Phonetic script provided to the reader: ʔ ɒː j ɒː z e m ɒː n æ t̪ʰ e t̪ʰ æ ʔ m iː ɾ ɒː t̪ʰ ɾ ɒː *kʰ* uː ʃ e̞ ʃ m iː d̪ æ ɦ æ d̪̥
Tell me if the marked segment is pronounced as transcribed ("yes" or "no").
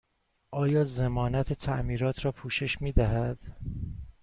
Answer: no